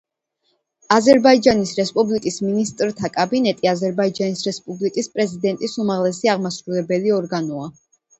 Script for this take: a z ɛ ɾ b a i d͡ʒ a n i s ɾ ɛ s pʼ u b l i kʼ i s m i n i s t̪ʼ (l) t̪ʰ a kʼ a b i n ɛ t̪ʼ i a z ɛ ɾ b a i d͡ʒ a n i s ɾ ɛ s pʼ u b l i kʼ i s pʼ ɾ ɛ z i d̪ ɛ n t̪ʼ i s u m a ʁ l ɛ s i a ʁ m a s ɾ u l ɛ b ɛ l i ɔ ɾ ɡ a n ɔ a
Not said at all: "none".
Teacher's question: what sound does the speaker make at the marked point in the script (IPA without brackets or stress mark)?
ɾ